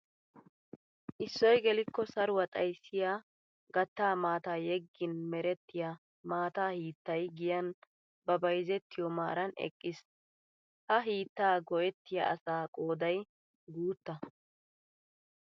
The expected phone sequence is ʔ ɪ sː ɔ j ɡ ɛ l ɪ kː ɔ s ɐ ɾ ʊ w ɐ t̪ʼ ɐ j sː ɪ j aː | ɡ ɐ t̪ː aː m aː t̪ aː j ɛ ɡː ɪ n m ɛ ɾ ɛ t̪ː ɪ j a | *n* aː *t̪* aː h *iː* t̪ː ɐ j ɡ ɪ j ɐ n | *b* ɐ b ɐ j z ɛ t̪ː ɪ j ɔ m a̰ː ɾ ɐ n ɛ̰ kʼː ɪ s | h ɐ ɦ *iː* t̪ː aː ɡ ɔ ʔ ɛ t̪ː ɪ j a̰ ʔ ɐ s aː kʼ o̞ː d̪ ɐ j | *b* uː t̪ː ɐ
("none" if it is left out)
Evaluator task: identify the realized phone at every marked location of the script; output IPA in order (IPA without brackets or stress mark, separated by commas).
m, t̪, iː, b, iː, ɡ